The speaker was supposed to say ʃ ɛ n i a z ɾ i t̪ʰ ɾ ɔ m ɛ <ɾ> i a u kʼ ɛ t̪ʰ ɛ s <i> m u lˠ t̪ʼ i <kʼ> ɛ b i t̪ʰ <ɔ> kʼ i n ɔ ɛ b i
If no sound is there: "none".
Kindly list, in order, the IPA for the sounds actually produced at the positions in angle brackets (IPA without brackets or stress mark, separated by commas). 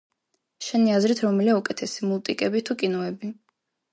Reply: l, i, kʼ, u